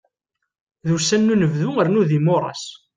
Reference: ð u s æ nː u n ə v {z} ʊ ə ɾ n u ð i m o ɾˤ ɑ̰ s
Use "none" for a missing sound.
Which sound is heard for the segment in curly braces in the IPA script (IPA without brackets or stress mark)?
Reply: ð